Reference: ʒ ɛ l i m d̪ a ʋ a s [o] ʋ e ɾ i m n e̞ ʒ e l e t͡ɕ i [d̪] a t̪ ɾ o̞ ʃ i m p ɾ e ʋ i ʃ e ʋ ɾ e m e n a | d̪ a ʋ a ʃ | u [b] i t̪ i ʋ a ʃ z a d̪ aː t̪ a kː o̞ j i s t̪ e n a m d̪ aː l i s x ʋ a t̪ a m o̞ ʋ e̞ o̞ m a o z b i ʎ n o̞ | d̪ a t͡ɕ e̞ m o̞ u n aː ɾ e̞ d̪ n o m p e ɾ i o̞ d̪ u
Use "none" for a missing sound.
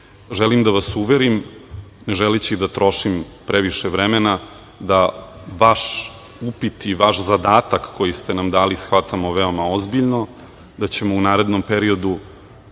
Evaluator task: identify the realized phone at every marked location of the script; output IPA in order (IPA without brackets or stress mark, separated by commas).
u, d̪, p